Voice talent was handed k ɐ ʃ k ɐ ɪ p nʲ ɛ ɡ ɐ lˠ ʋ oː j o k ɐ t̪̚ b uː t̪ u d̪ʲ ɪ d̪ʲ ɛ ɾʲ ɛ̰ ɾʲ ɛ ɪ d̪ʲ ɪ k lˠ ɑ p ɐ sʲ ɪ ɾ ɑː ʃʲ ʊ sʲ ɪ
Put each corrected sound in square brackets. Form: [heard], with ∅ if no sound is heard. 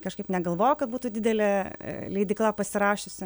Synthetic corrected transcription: k ɐ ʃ k ɐ ɪ p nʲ ɛ ɡ ɐ lˠ ʋ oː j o k ɐ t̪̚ b uː t̪ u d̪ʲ ɪ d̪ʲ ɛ [lʲ] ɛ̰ [lʲ] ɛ ɪ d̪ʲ ɪ k lˠ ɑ p ɐ sʲ ɪ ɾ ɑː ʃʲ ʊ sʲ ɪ